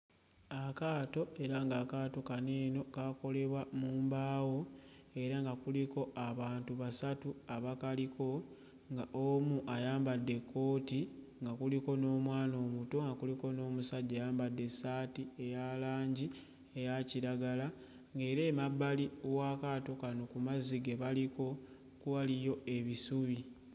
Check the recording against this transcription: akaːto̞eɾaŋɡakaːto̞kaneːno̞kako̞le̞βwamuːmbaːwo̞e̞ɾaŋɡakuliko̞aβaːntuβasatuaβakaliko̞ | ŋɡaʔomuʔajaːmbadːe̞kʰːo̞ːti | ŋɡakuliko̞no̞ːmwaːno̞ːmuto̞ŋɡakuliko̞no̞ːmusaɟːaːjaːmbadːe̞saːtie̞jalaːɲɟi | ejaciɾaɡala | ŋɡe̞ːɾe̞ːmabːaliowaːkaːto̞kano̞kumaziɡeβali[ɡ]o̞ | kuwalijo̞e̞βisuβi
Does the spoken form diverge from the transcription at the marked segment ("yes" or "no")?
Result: yes